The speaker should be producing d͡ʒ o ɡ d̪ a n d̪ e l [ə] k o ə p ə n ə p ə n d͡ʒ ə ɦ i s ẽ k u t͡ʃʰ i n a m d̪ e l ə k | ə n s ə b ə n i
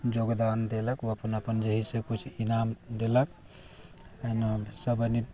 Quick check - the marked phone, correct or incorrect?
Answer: correct